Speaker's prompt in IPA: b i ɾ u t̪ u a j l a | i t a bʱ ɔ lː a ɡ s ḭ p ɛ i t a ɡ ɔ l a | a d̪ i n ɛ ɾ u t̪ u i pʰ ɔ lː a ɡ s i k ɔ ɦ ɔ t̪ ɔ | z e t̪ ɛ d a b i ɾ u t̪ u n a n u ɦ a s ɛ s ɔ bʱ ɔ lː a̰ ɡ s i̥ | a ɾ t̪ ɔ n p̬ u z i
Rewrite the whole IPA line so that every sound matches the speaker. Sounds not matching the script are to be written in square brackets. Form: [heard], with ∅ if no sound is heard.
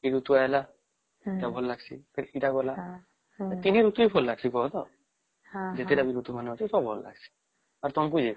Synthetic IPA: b i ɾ u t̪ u a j l a | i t a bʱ ɔ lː a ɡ s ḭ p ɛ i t a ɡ ɔ l a | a [t̪] i n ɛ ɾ u t̪ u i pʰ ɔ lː a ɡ s i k ɔ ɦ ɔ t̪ ɔ | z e t̪ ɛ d a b i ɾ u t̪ u [m] a n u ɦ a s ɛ s ɔ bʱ ɔ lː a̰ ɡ s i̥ | a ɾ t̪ ɔ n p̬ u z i